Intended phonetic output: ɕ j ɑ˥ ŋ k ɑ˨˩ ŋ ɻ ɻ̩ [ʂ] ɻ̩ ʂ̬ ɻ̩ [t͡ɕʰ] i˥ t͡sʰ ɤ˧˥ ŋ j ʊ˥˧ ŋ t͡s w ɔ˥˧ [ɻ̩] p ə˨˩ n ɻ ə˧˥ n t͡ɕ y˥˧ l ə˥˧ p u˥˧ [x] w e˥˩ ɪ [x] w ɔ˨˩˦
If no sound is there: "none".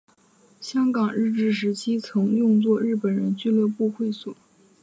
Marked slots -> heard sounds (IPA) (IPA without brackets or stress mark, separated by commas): ʈ͡ʂ, t͡ɕʰ, ɻ̩, x, s